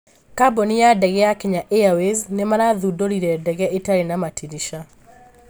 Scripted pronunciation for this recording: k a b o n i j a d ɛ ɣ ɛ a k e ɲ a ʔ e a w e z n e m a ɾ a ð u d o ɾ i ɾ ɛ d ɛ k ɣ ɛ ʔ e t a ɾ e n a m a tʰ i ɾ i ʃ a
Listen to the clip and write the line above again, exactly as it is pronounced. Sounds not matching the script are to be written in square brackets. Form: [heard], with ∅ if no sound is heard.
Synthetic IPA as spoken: k a b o n i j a d ɛ ɣ ɛ a k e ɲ a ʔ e a w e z n e m a ɾ a ð u d o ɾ i ɾ ɛ d ɛ [∅] ɣ ɛ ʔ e t a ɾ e n a m a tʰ i ɾ i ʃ a